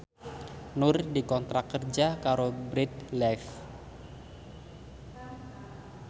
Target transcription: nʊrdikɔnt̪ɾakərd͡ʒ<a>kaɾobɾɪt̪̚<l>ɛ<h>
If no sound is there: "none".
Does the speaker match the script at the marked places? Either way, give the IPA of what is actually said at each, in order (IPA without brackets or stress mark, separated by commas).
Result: a, l, f